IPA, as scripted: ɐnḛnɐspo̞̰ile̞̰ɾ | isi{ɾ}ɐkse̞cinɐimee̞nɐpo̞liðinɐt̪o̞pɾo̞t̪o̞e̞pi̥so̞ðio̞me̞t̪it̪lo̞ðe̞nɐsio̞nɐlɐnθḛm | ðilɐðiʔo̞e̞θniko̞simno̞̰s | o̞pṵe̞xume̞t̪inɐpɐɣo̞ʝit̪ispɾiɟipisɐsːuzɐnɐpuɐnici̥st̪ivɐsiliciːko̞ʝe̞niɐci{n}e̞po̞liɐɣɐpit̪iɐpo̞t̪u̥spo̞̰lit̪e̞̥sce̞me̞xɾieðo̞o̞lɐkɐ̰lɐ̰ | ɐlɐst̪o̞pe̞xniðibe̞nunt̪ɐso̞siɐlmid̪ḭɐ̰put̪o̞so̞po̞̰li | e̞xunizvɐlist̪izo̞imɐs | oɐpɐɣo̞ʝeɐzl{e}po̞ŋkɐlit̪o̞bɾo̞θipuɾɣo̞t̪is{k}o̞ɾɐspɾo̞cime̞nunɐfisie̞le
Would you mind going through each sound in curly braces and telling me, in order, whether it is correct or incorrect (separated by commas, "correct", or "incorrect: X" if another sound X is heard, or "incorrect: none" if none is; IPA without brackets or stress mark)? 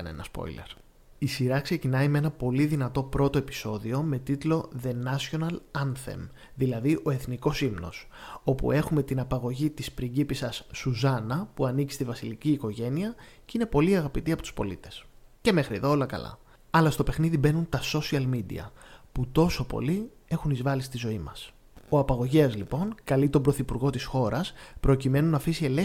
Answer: correct, correct, incorrect: i, incorrect: x